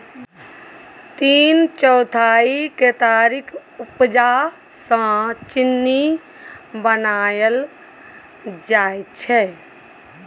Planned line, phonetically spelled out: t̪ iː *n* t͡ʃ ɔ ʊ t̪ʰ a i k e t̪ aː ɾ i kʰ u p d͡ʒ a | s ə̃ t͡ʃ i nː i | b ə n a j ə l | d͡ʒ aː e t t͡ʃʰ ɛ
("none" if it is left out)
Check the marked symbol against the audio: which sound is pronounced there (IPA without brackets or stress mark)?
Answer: n